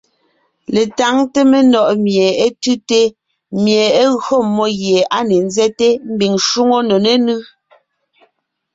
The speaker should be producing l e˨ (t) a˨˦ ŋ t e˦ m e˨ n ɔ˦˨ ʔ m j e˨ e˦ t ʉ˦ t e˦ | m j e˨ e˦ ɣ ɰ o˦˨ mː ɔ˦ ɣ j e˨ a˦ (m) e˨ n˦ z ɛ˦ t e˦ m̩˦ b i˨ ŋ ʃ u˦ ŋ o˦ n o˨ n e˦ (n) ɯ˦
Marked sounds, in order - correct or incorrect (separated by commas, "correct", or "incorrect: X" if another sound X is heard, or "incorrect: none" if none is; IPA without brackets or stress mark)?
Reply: correct, incorrect: n, correct